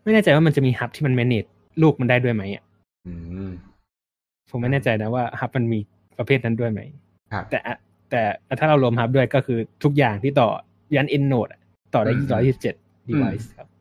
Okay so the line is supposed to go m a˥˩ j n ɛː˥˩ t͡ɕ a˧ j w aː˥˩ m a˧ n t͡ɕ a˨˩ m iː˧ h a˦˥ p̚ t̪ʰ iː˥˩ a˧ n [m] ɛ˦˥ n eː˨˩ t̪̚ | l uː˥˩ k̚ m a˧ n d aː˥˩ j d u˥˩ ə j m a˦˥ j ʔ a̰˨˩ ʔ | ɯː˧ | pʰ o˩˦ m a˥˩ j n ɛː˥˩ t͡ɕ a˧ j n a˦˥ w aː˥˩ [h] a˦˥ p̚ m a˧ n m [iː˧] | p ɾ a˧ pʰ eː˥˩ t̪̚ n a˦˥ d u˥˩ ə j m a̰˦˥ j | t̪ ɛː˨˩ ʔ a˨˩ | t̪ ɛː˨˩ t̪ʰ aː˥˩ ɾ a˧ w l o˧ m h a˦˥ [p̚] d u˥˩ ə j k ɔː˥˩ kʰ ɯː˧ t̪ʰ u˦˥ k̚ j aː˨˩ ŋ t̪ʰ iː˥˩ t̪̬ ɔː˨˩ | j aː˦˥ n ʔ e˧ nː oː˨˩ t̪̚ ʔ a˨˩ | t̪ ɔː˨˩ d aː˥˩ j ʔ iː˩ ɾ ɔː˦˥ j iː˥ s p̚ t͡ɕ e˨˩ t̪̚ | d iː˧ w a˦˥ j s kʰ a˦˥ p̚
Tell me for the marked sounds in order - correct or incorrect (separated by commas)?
correct, correct, correct, correct